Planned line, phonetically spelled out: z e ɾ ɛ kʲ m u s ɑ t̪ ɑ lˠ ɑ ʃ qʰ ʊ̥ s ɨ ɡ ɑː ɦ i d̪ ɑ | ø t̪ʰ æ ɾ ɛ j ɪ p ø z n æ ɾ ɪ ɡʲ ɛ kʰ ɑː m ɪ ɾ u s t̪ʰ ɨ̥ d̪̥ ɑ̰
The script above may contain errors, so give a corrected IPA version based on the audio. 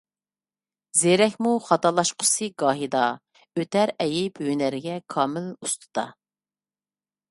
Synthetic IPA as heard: z e ɾ ɛ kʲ m u χ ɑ t̪ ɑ lˠ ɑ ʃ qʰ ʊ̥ s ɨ ɡ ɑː ɦ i d̪ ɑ | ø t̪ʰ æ ɾ ɛ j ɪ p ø n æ ɾ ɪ ɡʲ ɛ kʰ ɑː m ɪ l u s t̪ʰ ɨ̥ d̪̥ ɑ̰